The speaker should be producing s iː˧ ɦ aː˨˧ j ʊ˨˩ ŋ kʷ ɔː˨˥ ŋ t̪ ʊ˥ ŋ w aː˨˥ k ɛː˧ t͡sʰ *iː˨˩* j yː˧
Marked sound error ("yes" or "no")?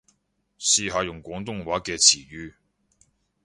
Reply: no